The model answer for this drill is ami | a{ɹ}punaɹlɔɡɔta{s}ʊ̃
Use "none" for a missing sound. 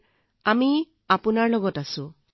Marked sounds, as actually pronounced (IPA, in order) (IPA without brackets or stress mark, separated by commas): none, s